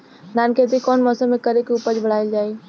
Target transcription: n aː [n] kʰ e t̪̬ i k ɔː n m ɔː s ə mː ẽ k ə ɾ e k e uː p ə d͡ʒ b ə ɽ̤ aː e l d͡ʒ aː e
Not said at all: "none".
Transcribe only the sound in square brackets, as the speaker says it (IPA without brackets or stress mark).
n